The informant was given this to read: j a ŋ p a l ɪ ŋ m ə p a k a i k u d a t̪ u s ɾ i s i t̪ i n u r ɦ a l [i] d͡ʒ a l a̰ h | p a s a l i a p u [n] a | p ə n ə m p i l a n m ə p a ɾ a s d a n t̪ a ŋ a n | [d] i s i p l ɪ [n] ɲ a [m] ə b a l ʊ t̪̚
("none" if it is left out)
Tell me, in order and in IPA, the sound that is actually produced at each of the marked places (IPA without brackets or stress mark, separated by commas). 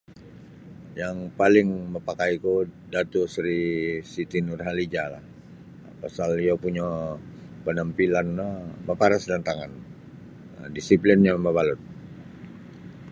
i, ɲ, d, n, m